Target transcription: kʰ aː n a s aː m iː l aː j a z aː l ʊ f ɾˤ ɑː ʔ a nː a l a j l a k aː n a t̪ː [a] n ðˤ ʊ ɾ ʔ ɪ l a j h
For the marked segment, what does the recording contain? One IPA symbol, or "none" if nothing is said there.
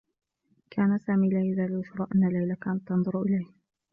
ɑ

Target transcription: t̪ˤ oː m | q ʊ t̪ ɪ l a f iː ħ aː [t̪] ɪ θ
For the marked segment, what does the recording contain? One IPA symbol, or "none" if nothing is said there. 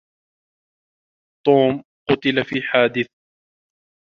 d̪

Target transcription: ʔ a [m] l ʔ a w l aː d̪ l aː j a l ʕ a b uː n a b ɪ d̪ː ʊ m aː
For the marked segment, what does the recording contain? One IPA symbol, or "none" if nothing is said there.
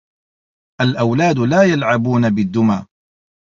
none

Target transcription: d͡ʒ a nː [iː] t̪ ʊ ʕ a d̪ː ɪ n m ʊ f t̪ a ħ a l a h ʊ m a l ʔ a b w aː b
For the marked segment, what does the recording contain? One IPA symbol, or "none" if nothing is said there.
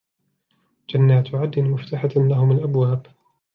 aː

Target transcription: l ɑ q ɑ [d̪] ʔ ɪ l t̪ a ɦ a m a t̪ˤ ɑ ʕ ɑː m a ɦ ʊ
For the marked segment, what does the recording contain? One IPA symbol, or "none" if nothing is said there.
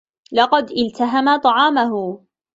d̪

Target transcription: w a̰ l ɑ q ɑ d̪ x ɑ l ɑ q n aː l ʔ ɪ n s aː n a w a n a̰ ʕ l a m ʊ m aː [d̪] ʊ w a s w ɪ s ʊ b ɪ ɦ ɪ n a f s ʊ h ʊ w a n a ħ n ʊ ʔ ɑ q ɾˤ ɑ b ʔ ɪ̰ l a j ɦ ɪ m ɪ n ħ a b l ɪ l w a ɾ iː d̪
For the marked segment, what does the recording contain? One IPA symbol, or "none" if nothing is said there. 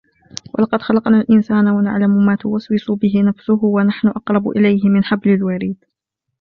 t̪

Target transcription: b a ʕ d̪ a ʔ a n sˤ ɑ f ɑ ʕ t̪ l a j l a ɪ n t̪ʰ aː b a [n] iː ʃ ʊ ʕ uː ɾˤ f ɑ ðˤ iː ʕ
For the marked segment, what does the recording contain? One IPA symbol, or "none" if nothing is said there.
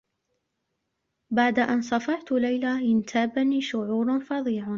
n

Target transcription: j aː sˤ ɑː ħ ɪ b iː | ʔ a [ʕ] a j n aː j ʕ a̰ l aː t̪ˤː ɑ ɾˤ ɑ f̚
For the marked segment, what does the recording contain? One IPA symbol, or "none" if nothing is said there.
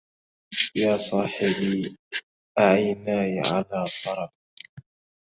ʕ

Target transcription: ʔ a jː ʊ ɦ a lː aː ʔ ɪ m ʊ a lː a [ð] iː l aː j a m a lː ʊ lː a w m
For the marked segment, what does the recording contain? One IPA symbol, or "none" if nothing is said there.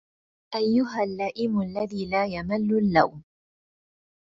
ð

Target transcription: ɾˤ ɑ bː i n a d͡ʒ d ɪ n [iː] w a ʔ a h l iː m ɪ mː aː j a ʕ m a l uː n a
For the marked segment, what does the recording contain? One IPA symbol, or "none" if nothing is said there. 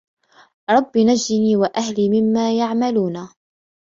iː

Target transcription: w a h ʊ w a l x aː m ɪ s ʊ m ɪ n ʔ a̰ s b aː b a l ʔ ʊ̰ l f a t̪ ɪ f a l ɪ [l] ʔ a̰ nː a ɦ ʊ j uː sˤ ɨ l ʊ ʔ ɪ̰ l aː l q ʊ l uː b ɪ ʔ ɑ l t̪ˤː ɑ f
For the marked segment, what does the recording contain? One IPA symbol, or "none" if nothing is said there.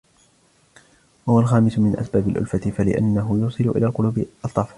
none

